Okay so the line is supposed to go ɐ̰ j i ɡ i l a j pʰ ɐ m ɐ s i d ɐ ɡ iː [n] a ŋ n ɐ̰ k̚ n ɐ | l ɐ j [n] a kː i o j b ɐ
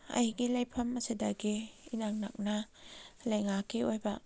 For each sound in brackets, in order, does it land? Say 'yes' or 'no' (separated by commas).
yes, no